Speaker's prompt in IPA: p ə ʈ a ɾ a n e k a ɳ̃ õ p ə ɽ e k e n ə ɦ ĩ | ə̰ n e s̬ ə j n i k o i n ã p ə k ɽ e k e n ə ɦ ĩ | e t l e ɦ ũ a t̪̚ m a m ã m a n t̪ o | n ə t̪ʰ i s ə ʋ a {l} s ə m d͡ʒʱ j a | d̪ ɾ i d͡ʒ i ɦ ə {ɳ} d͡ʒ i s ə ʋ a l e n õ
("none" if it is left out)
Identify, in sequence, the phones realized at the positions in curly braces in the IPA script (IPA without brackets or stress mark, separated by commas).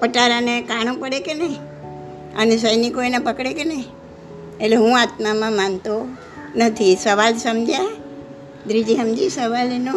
l, m